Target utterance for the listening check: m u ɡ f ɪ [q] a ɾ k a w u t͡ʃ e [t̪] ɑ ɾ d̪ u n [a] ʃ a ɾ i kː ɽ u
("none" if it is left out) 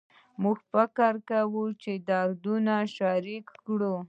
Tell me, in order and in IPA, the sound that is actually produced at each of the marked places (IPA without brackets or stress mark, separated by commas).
k, d̪, a